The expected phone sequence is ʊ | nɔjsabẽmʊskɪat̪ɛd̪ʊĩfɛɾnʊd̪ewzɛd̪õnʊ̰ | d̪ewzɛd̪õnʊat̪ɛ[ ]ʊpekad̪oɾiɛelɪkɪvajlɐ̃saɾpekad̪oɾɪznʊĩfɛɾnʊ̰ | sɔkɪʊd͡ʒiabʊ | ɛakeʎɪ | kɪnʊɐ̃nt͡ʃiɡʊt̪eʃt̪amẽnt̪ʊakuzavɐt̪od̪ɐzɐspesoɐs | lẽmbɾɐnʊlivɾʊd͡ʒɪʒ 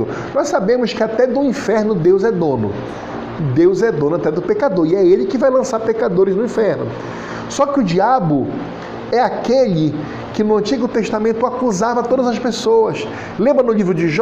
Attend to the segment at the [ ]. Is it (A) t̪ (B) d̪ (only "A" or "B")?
B